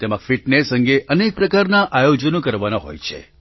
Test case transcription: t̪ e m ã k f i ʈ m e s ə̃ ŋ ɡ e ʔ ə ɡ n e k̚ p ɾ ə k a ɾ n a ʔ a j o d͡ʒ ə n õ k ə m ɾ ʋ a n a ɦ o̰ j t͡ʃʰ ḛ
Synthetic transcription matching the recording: t̪ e m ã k f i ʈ n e s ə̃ ŋ ɡ e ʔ ə n e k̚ p ɾ ə k a ɾ n a ʔ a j o d͡ʒ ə n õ k ə ɾ ʋ a n a ɦ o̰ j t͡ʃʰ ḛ